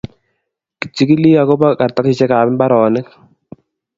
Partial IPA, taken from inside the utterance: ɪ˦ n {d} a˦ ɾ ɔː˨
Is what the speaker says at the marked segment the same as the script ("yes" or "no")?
no